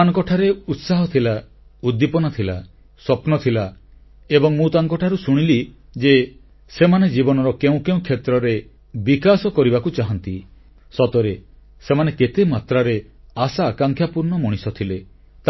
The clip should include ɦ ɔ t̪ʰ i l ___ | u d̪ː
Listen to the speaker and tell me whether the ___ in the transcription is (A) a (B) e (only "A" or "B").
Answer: A